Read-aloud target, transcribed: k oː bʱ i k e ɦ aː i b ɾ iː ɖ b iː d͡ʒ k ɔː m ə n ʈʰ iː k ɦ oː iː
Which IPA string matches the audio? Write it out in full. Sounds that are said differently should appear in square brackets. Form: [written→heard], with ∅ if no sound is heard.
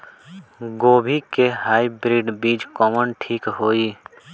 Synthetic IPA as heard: [k→ɡ] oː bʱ i k e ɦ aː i b ɾ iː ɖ b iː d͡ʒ k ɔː m ə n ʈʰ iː k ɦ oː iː